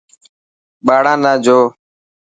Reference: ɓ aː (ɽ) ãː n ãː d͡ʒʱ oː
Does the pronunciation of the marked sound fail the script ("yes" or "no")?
no